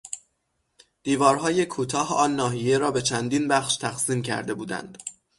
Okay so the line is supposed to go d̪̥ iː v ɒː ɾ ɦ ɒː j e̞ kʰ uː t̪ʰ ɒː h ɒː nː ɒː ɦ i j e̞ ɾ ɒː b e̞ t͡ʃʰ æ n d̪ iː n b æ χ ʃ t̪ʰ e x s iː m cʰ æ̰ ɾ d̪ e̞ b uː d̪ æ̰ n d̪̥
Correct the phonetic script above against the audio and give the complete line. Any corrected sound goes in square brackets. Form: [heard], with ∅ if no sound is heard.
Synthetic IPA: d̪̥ iː v ɒː ɾ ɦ ɒː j e̞ kʰ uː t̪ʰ ɒː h ɒː nː ɒː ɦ i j e̞ ɾ ɒː b e̞ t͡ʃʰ æ n d̪ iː n b æ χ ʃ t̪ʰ [æ] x s iː m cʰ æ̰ ɾ d̪ e̞ b uː d̪ æ̰ n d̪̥